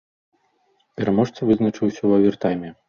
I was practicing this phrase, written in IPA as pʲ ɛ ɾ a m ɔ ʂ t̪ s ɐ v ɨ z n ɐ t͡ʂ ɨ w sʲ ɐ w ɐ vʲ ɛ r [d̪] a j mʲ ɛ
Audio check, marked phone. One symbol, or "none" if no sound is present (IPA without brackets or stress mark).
t̪